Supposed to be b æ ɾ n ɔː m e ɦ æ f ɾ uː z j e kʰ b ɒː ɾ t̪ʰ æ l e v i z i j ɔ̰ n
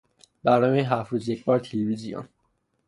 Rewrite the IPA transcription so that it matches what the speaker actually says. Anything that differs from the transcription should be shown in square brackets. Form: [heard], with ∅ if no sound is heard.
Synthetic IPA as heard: b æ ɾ n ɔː m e ɦ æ f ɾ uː z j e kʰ b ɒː ɾ t̪ʰ [e] l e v i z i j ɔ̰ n